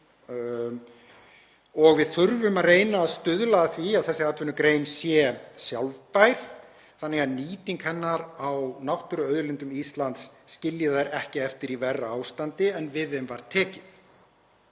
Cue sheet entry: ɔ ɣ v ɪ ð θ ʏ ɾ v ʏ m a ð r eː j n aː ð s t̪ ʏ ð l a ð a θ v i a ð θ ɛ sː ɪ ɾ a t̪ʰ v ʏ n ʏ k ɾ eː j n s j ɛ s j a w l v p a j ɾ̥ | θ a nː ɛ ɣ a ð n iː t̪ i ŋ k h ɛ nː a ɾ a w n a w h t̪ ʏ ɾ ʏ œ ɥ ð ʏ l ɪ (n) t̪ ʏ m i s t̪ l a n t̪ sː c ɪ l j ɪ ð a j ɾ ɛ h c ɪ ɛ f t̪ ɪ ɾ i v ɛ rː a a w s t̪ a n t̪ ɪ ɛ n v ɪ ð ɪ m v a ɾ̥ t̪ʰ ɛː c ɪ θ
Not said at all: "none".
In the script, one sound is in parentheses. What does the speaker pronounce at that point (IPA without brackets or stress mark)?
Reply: n